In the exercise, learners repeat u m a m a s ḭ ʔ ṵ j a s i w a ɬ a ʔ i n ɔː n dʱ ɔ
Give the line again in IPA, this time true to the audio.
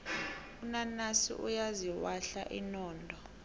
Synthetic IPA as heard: u n a n a s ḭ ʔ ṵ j a z i w a ɬ a ʔ i n ɔː n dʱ ɔ